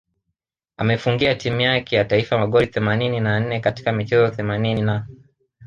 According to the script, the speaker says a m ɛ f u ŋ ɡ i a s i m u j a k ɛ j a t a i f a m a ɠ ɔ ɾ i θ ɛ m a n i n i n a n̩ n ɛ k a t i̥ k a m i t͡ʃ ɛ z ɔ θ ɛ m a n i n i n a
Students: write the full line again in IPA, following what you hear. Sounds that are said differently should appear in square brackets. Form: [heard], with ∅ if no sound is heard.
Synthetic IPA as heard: a m ɛ f u ŋ ɡ i a [t] i m u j a k ɛ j a t a i f a m a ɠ ɔ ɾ i θ ɛ m a n i n i n a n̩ n ɛ k a t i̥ k a m i t͡ʃ ɛ z ɔ θ ɛ m a n i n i n a